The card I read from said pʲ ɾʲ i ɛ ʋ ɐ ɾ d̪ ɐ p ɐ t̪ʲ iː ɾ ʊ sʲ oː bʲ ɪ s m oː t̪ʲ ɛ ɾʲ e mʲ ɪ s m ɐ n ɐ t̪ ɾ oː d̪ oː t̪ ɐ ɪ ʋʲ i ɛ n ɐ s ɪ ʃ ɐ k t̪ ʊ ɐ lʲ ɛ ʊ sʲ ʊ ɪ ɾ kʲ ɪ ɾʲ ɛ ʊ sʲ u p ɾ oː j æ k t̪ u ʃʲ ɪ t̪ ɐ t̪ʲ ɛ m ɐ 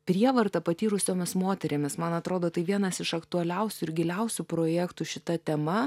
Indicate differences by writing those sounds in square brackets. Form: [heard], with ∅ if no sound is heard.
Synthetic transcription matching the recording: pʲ ɾʲ i ɛ ʋ ɐ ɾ [t̪] ɐ p ɐ t̪ʲ iː ɾ ʊ sʲ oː [mʲ] ɪ s m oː t̪ʲ ɛ ɾʲ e mʲ ɪ s m ɐ n ɐ t̪ ɾ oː d̪ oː t̪ ɐ ɪ ʋʲ i ɛ n ɐ s ɪ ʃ ɐ k t̪ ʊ ɐ lʲ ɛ ʊ sʲ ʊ ɪ ɾ [ɡʲ] ɪ [lʲ] ɛ ʊ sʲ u p ɾ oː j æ k t̪ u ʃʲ ɪ t̪ ɐ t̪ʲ ɛ m ɐ